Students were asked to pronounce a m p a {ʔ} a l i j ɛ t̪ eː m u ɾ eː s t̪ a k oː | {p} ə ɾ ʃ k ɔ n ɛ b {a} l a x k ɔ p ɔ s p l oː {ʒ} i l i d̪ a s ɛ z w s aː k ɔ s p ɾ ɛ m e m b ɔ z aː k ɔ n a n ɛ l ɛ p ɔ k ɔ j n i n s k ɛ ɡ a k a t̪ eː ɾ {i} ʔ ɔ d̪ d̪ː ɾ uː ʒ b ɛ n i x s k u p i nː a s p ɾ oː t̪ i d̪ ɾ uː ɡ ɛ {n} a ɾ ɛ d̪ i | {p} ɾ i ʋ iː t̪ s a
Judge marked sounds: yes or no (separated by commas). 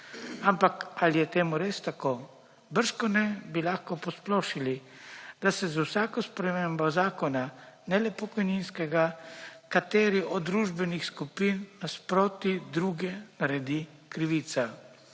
no, no, no, no, yes, yes, no